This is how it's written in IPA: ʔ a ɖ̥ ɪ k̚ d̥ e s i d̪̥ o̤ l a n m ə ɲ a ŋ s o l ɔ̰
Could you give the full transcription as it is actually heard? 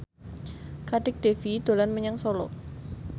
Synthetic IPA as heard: k a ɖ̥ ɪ k̚ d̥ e f i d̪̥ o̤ l a n m ə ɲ a ŋ s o l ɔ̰